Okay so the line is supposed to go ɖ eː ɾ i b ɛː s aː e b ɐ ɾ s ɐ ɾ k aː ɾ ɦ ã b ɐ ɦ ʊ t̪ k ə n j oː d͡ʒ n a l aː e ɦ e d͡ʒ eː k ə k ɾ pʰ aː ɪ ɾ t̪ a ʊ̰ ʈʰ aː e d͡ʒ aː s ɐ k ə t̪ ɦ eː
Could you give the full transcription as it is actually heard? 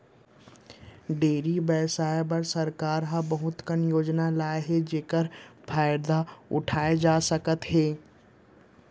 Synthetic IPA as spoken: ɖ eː ɾ i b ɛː s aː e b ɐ ɾ s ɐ ɾ k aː ɾ ɦ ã b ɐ ɦ ʊ t̪ k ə n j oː d͡ʒ n a l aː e ɦ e d͡ʒ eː k ə ɾ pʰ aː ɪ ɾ d̪ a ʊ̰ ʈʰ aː e d͡ʒ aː s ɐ k ə t̪ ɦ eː